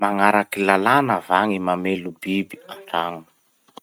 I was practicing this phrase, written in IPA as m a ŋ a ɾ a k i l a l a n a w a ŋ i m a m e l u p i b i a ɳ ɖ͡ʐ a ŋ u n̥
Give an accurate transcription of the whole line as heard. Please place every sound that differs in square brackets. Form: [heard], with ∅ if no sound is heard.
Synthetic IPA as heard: m a ŋ a ɾ a k i l a l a n a [v] a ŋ i m a m e l u [b] i b i a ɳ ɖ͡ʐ a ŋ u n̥